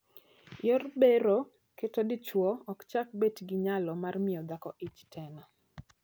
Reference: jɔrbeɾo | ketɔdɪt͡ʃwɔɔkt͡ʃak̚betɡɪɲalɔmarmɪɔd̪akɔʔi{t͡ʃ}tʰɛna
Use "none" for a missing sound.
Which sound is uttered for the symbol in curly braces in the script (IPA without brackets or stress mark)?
t͡ʃ